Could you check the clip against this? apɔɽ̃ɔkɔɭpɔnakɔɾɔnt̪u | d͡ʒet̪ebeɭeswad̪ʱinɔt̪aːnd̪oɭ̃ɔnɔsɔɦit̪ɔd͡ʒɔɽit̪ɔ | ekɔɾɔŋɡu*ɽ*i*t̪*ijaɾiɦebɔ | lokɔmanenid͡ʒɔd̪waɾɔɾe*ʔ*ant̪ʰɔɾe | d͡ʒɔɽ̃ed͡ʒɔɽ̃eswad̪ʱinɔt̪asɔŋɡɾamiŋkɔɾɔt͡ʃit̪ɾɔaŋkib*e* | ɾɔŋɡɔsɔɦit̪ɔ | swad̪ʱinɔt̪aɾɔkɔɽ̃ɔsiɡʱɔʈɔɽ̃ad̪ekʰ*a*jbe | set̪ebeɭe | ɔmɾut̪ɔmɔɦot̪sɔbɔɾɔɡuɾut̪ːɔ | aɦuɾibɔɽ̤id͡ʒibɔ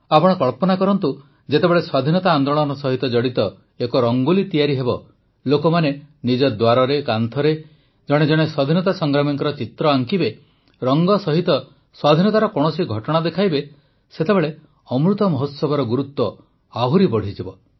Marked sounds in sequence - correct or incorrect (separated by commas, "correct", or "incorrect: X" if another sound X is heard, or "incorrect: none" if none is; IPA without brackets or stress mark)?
incorrect: l, correct, incorrect: k, correct, correct